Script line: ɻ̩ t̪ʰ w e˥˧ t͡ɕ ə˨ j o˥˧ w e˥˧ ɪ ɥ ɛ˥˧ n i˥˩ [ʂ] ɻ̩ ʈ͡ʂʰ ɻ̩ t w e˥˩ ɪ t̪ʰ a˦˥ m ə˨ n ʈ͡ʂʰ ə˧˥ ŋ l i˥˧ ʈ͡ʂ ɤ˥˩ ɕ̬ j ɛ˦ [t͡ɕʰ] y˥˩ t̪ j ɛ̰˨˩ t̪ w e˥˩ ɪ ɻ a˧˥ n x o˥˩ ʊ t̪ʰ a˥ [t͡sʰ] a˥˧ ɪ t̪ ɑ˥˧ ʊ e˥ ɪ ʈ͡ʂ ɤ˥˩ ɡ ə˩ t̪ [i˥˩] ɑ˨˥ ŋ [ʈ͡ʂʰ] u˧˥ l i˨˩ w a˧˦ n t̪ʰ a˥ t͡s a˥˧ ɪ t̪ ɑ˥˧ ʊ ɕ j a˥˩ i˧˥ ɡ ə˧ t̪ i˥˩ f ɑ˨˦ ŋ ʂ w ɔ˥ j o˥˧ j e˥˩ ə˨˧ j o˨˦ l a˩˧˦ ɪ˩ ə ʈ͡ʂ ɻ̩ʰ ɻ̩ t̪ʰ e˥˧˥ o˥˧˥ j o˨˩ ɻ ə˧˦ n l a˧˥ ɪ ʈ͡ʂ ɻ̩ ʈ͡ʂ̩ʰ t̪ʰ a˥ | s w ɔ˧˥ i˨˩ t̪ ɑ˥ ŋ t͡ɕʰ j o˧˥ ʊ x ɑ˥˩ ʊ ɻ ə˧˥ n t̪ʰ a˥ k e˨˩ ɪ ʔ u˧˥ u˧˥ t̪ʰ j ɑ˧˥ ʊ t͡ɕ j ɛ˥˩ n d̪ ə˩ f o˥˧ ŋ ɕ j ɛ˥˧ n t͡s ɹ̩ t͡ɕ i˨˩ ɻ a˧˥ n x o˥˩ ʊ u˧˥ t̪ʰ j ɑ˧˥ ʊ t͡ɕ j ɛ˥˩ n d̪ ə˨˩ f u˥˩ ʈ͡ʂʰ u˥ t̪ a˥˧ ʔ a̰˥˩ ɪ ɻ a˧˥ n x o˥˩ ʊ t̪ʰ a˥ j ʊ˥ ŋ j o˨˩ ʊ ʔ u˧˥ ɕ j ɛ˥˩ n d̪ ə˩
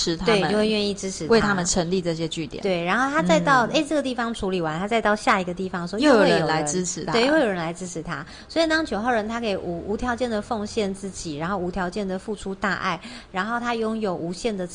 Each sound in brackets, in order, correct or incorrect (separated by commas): incorrect, incorrect, incorrect, correct, correct